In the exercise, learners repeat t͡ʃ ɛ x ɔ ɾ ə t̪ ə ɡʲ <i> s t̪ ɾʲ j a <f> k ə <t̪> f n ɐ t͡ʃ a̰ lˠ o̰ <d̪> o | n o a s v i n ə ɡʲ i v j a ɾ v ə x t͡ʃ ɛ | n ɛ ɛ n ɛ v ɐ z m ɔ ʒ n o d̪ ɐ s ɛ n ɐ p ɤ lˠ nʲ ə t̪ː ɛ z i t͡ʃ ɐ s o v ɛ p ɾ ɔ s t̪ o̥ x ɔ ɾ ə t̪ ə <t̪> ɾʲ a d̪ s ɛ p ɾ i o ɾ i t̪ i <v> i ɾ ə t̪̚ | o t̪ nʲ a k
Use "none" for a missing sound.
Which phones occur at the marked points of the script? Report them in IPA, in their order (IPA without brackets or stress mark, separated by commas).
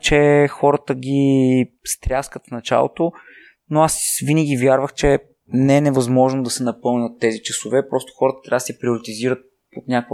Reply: i, s, t̪, t̪, t̪, z